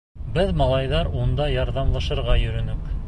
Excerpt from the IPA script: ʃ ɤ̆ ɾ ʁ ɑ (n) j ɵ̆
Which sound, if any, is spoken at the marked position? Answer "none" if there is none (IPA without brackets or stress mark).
none